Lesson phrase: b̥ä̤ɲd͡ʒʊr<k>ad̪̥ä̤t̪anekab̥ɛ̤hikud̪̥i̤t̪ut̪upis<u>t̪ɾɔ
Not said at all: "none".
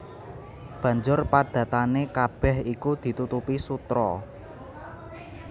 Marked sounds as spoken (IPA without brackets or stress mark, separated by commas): p, u